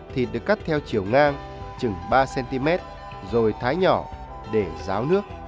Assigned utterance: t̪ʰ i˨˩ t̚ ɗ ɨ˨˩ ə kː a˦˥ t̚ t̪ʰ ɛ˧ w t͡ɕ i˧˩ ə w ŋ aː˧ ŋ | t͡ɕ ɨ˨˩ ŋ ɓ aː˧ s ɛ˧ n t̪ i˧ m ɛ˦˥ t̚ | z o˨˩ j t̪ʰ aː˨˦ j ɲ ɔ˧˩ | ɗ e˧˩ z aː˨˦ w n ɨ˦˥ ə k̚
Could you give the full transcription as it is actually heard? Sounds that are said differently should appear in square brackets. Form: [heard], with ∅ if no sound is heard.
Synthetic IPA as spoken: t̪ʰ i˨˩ t̚ ɗ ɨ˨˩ ə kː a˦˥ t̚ t̪ʰ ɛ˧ w t͡ɕ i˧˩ ə w ŋ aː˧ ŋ | t͡ɕ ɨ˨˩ ŋ ɓ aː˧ s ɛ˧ n t̪ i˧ m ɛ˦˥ t̚ | z o˨˩ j t̪ʰ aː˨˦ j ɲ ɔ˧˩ | ɗ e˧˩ z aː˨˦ w n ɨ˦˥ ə k̚